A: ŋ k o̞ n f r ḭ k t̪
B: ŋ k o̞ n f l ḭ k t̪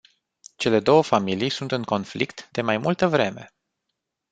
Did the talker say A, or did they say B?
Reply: B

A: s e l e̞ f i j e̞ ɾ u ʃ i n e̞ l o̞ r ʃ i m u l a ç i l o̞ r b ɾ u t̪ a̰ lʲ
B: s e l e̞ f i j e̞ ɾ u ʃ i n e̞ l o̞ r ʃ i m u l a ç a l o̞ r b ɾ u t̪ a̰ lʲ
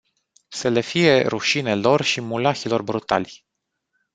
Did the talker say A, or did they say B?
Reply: A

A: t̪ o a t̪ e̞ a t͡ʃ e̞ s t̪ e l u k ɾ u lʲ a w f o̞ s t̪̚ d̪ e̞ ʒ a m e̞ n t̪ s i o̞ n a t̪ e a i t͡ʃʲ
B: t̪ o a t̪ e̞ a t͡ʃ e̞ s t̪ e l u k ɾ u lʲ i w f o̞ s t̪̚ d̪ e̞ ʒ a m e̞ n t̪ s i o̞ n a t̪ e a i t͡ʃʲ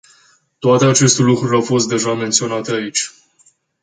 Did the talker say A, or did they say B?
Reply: A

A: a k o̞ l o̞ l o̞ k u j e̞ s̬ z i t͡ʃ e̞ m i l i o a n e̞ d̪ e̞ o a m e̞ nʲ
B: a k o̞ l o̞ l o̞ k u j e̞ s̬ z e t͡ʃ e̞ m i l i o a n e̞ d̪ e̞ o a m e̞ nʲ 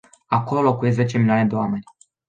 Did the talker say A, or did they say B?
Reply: B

